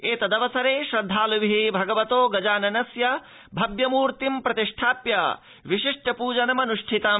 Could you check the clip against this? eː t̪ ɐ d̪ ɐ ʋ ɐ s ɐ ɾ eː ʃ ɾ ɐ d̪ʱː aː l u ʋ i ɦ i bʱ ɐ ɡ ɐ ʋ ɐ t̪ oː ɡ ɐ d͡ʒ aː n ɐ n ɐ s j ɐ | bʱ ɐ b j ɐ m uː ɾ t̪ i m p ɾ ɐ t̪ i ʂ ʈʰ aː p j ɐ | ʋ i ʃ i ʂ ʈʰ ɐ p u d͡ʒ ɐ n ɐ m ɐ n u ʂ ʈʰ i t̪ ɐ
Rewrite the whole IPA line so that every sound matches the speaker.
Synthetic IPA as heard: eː t̪ ɐ d̪ ɐ ʋ ɐ s ɐ ɾ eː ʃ ɾ ɐ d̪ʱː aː l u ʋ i ɦ i bʱ ɐ ɡ ɐ ʋ ɐ t̪ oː ɡ ɐ d͡ʒ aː n ɐ n ɐ s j ɐ | bʱ ɐ b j ɐ m uː ɾ t̪ i m p ɾ ɐ t̪ i ʂ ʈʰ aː p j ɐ | ʋ i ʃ i ʂ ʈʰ ɐ p uː d͡ʒ ɐ n ɐ m ɐ n u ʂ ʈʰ i t̪ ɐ